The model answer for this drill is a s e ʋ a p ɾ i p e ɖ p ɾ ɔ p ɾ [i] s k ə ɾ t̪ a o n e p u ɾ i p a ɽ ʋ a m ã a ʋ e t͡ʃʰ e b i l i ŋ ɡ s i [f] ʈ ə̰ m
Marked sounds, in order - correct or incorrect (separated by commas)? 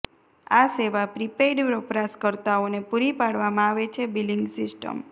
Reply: incorrect, incorrect